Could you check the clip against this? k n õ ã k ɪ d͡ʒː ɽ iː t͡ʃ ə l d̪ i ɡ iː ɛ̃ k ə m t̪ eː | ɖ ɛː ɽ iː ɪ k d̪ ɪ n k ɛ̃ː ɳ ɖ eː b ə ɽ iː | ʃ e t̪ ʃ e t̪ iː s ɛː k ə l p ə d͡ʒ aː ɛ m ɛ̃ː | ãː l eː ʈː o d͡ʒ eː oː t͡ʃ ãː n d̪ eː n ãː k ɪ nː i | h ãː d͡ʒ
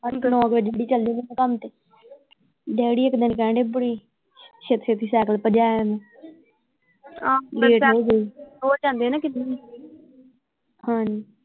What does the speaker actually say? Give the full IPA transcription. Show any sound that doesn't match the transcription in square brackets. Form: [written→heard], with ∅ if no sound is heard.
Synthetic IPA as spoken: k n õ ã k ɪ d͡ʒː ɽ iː t͡ʃ ə l d̪ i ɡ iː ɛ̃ k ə m t̪ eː | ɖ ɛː ɽ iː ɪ k d̪ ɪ n k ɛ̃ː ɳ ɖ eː b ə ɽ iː | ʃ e t̪ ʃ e t̪ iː s ɛː k ə l p ə d͡ʒ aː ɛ m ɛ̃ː | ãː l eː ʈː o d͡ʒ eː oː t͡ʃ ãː n d̪ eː n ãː k ɪ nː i | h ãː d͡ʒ